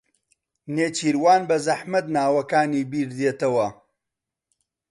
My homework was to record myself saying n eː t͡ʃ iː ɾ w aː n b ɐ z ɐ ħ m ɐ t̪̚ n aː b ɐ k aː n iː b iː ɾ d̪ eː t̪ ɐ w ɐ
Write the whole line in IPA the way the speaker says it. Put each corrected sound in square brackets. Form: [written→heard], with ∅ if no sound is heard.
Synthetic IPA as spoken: n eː t͡ʃ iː ɾ w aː n b ɐ z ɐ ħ m ɐ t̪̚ n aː [b→w] ɐ k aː n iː b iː ɾ d̪ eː t̪ ɐ w ɐ